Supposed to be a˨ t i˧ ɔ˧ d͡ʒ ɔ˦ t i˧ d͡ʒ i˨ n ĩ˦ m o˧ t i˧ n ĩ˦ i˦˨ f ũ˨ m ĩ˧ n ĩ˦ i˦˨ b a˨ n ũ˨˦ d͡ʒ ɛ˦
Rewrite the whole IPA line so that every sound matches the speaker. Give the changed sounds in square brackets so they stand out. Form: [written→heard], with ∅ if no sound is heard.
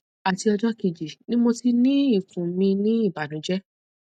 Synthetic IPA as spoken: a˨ t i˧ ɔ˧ d͡ʒ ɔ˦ [t→k] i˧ d͡ʒ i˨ n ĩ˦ m o˧ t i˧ n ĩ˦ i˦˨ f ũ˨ m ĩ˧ n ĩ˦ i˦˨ b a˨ n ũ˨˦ d͡ʒ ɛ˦